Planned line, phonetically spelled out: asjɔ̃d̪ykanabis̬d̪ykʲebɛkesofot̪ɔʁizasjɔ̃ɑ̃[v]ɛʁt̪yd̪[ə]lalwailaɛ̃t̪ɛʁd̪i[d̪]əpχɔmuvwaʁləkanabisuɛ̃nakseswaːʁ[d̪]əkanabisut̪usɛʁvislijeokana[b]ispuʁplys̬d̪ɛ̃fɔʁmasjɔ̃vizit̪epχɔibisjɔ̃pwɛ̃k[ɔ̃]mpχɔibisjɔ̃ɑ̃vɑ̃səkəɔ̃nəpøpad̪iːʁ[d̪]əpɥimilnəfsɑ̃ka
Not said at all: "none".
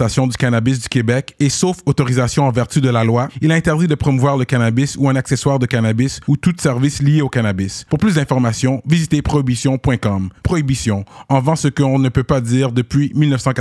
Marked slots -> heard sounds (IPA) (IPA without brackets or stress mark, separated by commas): v, ə, d̪, d̪, b, ɔ, d̪